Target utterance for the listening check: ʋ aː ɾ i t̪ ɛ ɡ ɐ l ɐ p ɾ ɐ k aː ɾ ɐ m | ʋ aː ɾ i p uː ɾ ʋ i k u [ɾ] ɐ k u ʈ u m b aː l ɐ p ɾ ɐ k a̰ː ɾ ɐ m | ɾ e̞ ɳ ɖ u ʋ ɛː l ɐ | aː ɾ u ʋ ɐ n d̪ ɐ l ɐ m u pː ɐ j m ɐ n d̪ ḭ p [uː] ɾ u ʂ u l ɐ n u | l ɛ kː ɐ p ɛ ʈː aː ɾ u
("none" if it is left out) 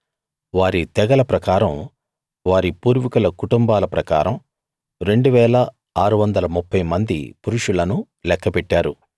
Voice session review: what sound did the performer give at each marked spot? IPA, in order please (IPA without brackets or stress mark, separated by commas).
l, u